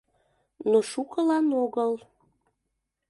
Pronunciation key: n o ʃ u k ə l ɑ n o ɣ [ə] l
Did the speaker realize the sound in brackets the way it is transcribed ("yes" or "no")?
yes